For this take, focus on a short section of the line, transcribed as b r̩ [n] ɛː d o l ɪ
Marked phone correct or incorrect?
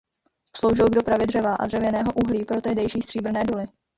correct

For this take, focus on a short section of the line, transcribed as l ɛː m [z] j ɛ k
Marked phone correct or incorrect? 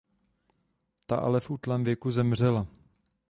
incorrect: v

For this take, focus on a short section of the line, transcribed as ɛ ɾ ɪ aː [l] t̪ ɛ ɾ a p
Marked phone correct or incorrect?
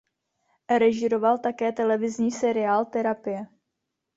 correct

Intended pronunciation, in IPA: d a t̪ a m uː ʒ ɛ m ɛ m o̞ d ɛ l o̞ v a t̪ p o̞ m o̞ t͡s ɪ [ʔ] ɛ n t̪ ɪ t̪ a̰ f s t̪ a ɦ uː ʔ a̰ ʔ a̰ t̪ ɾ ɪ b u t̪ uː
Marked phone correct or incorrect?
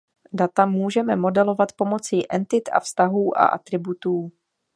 correct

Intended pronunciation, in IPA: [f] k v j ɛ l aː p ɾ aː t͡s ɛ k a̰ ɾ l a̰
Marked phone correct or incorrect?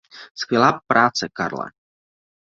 incorrect: s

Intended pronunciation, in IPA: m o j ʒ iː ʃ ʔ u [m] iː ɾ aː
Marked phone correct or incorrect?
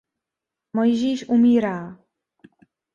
correct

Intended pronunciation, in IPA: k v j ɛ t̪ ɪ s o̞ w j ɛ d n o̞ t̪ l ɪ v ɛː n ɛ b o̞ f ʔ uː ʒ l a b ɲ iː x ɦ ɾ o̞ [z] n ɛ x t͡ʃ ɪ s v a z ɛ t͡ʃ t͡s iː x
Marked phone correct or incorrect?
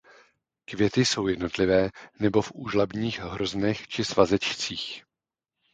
correct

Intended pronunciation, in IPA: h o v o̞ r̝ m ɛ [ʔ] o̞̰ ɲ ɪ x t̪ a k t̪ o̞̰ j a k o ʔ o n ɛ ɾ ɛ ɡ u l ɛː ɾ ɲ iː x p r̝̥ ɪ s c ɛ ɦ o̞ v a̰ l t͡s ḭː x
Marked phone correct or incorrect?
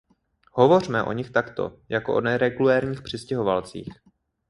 correct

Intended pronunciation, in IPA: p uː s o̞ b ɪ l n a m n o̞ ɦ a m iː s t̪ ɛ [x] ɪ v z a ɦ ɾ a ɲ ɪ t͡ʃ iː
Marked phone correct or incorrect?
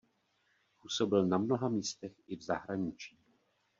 correct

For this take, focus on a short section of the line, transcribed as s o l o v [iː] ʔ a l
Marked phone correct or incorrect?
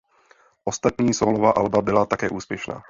incorrect: aː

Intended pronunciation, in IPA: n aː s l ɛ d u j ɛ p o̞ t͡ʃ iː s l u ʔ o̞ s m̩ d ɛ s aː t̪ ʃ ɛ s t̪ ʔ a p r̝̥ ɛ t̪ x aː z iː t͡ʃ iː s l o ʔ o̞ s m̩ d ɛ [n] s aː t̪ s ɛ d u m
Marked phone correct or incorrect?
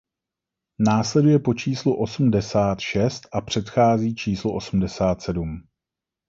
incorrect: none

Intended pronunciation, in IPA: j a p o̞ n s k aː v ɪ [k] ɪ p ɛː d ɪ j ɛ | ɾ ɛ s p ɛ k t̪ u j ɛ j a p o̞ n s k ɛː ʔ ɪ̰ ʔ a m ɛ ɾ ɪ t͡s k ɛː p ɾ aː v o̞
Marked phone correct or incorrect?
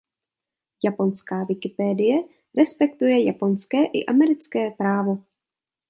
correct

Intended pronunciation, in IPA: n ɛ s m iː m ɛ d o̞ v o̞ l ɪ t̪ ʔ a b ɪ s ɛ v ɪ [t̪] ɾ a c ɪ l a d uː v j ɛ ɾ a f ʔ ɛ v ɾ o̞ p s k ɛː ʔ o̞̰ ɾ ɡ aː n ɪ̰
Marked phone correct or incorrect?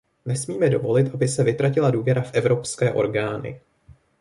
correct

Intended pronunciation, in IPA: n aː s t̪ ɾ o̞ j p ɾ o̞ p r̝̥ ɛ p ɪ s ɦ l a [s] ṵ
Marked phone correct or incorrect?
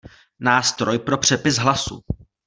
correct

